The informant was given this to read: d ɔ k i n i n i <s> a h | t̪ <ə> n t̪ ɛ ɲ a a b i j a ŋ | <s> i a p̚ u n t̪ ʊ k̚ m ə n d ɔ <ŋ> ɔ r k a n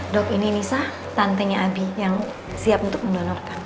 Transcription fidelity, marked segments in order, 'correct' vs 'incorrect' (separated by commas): correct, incorrect, correct, incorrect